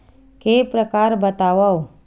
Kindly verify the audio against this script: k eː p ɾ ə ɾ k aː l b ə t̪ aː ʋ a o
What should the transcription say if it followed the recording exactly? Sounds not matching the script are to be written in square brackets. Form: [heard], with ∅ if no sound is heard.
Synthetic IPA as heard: k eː p ɾ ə [∅] k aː [ɾ] b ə t̪ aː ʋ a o